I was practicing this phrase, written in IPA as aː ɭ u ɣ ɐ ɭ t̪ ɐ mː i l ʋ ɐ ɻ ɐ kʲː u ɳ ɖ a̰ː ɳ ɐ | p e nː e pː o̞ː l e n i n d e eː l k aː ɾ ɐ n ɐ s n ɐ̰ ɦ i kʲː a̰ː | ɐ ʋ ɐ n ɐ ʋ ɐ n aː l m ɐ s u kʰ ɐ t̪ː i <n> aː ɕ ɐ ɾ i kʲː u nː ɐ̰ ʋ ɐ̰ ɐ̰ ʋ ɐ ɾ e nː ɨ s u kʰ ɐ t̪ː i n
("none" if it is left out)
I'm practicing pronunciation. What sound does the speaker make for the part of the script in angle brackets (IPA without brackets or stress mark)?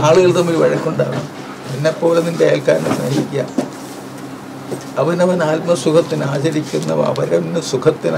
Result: n